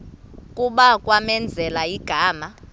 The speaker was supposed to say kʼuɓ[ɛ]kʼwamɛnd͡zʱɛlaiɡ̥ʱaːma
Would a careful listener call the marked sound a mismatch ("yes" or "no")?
yes